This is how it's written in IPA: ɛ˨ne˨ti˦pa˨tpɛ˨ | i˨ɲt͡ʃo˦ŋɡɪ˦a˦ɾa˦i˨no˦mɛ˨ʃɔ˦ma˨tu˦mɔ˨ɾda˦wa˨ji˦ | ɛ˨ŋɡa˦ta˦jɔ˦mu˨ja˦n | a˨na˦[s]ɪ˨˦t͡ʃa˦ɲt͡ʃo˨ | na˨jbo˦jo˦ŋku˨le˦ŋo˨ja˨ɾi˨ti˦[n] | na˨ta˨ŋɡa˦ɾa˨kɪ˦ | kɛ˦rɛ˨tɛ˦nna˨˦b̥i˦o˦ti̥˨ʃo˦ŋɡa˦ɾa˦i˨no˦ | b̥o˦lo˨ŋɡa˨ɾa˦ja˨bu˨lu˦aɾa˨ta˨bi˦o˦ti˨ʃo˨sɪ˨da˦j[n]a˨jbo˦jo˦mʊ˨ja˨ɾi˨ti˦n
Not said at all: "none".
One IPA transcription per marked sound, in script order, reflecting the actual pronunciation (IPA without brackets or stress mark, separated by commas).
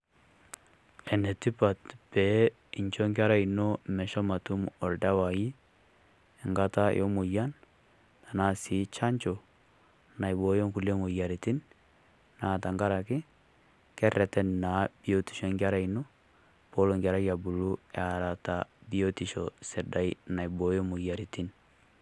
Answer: s, n, n